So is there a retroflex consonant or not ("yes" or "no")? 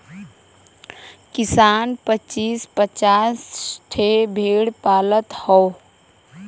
yes